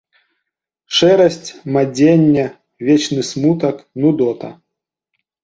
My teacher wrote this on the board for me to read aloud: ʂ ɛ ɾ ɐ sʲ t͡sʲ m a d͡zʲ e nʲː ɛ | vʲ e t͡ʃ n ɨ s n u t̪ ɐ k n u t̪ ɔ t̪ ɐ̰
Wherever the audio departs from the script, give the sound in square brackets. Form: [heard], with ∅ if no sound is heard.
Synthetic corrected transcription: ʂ ɛ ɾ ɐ sʲ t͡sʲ m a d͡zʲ e nʲː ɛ | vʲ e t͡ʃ n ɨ s [m] u t̪ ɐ k n u [d̪] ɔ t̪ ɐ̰